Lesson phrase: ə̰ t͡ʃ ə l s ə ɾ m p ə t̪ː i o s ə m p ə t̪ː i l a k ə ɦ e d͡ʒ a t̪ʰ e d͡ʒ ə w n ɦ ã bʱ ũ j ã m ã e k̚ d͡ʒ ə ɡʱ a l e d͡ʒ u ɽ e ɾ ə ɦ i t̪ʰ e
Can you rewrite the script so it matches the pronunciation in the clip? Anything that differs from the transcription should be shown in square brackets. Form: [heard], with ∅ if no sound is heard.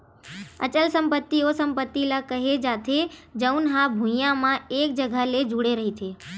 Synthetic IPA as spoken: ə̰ t͡ʃ ə l s ə [∅] m p ə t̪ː i o s ə m p ə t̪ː i l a k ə ɦ e d͡ʒ a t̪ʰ e d͡ʒ ə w n ɦ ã bʱ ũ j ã m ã e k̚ d͡ʒ ə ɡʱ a l e d͡ʒ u ɽ e ɾ ə ɦ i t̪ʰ e